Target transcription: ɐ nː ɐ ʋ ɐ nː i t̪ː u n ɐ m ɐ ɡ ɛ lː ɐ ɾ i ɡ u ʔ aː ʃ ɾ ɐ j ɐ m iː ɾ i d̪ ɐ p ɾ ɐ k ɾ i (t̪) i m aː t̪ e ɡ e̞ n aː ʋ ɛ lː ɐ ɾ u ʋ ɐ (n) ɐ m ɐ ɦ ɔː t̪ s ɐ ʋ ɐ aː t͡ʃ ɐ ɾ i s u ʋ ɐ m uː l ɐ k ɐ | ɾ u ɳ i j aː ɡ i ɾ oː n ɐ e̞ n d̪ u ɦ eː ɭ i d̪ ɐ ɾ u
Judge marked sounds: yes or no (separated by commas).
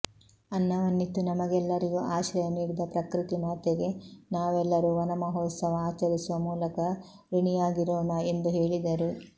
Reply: yes, yes